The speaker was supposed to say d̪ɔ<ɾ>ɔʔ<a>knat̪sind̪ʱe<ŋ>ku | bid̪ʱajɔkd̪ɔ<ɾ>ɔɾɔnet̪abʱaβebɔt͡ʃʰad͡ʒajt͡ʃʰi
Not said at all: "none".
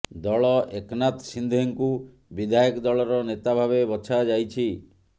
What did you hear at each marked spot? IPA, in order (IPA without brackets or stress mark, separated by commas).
ɭ, e, ŋ, ɭ